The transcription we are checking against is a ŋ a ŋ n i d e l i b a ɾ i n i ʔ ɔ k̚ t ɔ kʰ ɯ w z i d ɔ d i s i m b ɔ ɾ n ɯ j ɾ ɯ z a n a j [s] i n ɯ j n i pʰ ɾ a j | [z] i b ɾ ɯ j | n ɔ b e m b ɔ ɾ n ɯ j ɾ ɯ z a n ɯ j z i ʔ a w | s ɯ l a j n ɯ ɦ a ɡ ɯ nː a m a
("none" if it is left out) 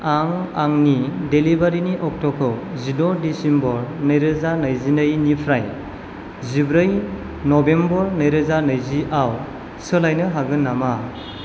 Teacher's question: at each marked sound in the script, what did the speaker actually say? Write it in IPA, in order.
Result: z, z

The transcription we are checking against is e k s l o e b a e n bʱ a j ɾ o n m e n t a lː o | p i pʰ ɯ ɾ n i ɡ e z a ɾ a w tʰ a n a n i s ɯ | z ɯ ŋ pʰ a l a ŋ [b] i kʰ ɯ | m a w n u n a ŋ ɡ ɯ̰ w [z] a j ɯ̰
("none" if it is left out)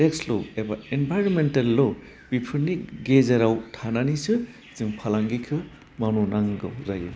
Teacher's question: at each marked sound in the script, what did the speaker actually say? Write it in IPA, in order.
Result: ɡ, z

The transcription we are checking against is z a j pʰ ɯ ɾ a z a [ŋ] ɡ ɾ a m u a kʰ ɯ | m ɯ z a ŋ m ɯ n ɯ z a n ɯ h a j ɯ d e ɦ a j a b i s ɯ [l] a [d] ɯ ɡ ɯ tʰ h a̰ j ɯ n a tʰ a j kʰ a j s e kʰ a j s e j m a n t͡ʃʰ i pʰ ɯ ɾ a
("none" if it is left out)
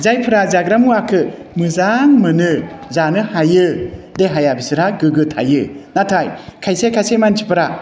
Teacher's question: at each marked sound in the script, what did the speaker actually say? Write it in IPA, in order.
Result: none, ɾ, ɡ

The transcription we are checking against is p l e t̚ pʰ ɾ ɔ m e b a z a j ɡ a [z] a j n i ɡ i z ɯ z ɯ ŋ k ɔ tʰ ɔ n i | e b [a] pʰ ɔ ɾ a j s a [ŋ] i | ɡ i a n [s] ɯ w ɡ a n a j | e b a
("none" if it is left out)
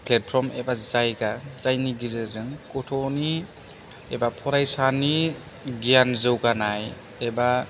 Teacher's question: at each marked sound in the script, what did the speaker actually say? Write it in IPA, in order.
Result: z, a, n, z

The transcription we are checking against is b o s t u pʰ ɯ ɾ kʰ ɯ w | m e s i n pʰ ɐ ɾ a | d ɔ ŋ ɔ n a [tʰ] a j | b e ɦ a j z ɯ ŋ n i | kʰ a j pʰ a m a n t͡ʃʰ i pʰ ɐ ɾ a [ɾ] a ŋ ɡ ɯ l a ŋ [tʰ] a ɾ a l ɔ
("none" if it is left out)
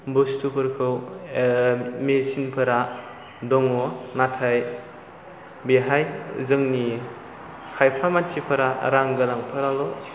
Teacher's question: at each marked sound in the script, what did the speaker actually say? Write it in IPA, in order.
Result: tʰ, ɾ, pʰ

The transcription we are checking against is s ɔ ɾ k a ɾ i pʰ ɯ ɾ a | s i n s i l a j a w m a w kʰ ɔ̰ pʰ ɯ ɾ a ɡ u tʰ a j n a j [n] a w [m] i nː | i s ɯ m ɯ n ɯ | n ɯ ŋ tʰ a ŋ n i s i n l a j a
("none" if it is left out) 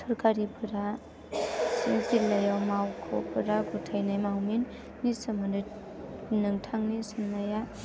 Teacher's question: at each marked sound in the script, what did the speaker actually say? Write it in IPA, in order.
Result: m, m

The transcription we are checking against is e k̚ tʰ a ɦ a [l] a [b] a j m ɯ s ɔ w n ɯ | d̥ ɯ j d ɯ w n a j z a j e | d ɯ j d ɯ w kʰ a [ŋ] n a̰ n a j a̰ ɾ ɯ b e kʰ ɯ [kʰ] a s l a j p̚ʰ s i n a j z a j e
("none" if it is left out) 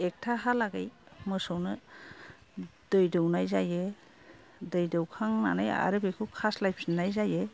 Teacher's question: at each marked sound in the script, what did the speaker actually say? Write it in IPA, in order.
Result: l, ɡ, ŋ, kʰ

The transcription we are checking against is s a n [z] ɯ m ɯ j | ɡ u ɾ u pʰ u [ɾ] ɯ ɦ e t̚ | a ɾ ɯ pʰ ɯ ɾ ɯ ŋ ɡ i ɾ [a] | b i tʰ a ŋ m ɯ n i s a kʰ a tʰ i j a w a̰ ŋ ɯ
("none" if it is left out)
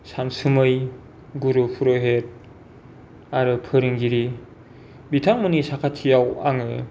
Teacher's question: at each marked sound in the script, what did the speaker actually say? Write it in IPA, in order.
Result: s, ɾ, i

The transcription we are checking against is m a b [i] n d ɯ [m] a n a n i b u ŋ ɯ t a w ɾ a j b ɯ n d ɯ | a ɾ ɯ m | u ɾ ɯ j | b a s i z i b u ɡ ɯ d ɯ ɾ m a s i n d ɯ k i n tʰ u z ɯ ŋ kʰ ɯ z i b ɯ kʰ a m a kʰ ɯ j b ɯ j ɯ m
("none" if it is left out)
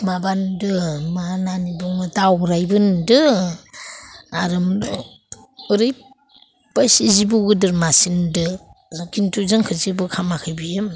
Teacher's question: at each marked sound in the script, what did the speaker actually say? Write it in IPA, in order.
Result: a, m

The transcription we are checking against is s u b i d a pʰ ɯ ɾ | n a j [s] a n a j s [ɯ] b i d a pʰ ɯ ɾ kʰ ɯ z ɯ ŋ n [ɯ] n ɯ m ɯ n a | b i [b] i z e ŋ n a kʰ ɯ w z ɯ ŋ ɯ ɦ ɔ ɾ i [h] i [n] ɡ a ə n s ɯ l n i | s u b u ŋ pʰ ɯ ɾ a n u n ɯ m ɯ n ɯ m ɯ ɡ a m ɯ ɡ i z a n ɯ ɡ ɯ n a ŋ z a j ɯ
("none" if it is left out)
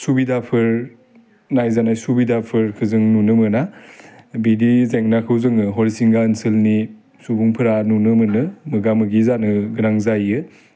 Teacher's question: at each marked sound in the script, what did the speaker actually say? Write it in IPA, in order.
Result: z, u, u, d, s, ŋ

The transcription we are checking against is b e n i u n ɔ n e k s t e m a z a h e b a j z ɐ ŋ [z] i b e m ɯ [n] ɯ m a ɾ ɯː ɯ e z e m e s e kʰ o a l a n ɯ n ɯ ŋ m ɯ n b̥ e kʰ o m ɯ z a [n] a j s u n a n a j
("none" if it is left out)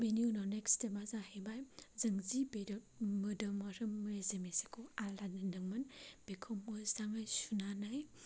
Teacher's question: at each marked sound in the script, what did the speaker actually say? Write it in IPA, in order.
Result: z, d, ŋ

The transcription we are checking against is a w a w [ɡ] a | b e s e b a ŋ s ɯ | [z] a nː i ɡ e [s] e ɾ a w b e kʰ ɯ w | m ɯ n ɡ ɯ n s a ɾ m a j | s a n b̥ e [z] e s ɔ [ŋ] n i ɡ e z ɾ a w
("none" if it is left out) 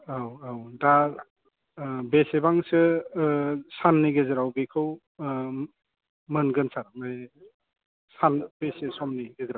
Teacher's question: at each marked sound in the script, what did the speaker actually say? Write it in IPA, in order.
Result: d, s, z, s, m

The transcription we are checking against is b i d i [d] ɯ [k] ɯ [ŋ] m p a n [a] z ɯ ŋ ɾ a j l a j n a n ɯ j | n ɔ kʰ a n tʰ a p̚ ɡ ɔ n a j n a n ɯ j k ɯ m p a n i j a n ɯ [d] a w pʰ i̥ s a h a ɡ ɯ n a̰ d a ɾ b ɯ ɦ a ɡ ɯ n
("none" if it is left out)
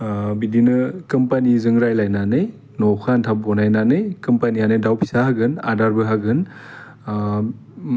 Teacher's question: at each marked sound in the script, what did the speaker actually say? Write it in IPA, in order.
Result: n, k, none, i, d

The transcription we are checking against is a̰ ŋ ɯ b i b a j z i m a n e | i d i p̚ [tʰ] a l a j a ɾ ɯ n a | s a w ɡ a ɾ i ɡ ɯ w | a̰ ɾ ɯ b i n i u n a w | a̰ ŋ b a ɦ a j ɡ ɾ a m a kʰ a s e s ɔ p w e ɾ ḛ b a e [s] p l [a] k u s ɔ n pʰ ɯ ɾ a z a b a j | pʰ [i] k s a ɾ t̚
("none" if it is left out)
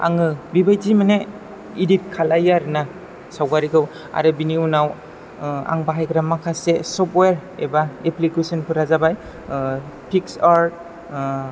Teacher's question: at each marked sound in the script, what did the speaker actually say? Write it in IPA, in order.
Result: kʰ, none, i, i

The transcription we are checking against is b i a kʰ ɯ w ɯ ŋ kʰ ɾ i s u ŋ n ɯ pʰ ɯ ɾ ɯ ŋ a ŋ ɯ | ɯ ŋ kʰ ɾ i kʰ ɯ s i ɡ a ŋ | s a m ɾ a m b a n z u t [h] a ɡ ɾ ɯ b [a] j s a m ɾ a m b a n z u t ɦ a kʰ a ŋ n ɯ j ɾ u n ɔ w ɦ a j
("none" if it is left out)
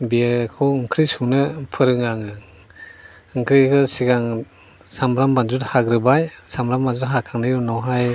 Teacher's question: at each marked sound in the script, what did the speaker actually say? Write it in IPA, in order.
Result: h, a

